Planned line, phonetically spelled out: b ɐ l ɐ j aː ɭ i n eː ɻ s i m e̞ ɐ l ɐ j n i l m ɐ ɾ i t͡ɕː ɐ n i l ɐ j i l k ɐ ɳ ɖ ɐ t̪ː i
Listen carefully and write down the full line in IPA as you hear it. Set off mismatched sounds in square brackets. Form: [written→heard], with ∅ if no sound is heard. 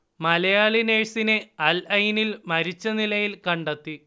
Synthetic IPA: [b→m] ɐ l ɐ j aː ɭ i n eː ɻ s i [m→n] e̞ ɐ l ɐ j n i l m ɐ ɾ i t͡ɕː ɐ n i l ɐ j i l k ɐ ɳ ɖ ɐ t̪ː i